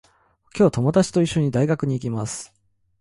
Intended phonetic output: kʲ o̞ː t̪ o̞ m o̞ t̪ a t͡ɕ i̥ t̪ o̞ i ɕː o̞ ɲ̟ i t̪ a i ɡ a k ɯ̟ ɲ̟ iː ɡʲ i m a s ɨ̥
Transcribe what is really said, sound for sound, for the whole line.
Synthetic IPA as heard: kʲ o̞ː t̪ o̞ m o̞ d̪ a t͡ɕ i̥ t̪ o̞ i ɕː o̞ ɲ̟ i d̪ a i ɡ a k ɯ̟ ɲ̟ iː kʲ i m a s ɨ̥